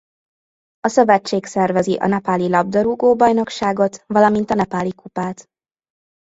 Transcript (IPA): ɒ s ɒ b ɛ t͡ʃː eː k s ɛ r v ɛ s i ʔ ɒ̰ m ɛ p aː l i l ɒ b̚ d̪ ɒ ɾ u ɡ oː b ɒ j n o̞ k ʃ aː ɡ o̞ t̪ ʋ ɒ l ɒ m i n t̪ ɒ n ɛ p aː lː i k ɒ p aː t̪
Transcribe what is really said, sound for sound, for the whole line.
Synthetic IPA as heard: ɒ s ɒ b ɛ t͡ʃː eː k s ɛ r v ɛ z i ʔ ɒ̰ n ɛ p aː l i l ɒ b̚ d̪ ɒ ɾ u ɡ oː b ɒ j n o̞ k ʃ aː ɡ o̞ t̪ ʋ ɒ l ɒ m i n t̪ ɒ n ɛ p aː l i k u p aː t̪